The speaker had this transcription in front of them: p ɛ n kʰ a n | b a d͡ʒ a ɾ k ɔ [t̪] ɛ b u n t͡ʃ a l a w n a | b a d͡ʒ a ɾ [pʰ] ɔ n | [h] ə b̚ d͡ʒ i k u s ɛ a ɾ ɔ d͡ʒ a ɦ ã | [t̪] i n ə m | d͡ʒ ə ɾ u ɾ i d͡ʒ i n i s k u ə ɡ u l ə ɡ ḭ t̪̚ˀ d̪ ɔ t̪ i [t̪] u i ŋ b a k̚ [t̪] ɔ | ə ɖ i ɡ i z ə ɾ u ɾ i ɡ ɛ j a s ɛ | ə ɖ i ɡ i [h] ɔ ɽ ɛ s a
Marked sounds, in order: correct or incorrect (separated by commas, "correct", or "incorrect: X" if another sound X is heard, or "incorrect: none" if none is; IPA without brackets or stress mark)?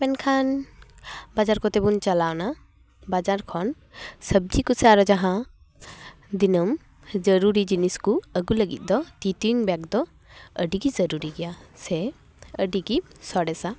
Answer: correct, incorrect: kʰ, incorrect: s, incorrect: d̪, correct, incorrect: d̪, incorrect: s